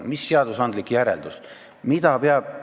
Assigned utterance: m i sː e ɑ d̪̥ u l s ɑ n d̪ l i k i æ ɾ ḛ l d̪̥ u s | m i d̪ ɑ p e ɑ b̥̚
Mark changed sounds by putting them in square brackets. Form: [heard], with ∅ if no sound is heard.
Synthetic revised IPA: m i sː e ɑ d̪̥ u [∅] s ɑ n d̪ l i k [j] æ ɾ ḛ l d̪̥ u s | m i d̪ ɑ p e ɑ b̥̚